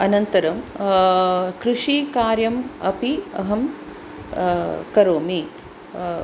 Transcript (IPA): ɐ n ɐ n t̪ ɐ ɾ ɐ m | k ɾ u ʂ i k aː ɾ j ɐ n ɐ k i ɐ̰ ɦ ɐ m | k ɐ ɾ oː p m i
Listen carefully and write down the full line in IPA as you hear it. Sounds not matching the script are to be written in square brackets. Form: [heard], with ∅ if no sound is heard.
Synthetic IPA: ɐ n ɐ n t̪ ɐ ɾ ɐ m | k ɾ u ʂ i k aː ɾ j ɐ [m] ɐ [p] i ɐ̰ ɦ ɐ m | k ɐ ɾ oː [∅] m i